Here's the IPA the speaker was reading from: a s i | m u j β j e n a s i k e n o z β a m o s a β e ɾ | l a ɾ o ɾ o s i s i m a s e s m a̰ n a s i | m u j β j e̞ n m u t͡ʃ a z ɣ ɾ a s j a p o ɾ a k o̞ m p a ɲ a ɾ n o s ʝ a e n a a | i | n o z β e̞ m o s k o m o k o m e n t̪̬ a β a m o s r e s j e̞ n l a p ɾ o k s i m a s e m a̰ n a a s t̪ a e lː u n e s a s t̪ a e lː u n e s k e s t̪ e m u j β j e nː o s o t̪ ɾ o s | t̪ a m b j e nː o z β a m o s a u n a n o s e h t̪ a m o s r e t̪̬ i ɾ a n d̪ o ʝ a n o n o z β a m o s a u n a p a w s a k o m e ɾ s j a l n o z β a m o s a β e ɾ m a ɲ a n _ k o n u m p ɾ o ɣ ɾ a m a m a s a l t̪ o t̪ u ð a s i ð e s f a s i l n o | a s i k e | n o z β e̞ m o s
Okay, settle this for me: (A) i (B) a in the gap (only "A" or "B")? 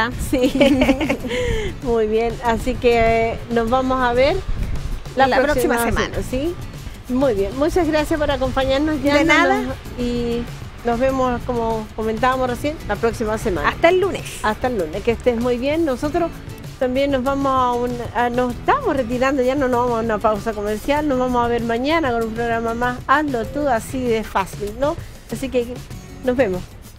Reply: B